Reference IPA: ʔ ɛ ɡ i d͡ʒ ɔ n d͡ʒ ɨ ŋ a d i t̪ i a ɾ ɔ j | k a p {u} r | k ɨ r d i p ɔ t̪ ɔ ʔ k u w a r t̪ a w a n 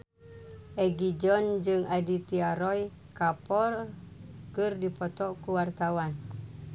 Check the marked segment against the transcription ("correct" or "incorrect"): incorrect